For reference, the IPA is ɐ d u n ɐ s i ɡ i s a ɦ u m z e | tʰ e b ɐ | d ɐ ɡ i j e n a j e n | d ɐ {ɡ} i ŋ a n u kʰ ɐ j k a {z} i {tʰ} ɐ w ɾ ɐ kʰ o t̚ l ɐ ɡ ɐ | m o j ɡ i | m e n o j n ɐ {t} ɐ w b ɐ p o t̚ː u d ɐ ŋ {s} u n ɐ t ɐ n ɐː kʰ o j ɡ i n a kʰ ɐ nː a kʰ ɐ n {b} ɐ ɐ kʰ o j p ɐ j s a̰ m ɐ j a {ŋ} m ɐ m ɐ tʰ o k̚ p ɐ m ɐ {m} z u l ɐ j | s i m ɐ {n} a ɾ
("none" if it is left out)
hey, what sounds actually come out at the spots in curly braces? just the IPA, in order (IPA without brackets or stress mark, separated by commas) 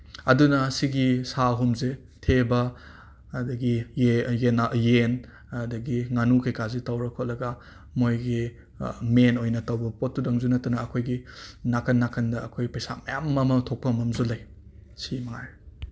ɡ, z, t, t, z, d, m, m, ŋ